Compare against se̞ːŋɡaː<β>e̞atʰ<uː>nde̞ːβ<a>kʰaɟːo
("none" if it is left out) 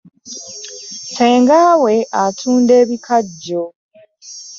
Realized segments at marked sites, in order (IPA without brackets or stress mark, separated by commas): w, uː, i